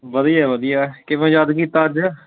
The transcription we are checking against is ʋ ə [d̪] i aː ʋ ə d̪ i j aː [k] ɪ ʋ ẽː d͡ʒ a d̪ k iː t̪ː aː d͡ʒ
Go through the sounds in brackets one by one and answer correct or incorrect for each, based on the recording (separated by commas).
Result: correct, correct